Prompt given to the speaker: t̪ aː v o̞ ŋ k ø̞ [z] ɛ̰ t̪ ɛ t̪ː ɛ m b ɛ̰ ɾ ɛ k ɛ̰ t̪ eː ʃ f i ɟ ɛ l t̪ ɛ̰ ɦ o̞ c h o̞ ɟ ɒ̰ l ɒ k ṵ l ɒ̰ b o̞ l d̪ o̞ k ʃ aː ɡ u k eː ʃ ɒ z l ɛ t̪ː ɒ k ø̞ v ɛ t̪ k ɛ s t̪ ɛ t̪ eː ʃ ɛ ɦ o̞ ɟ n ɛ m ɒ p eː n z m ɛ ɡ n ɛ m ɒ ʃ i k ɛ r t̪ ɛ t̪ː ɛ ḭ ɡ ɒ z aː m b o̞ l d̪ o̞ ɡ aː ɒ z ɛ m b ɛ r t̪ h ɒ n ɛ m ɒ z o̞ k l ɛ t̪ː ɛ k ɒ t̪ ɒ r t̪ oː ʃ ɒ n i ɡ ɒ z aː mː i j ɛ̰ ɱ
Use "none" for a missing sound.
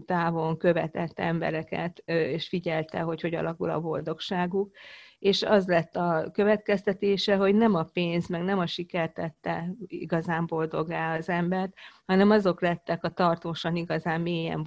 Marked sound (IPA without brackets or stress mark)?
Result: v